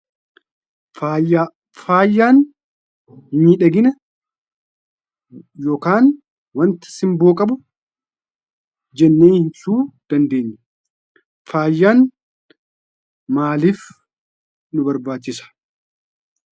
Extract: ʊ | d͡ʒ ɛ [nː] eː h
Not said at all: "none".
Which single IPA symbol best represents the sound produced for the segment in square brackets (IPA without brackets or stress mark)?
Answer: nː